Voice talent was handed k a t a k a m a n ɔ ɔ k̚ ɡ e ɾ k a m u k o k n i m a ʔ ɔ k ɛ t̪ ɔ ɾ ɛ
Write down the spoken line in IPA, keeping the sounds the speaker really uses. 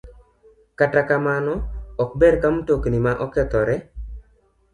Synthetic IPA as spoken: k a t a k a m a n ɔ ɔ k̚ b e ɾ k a m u t o k n i m a ʔ ɔ k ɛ t̪ ɔ ɾ ɛ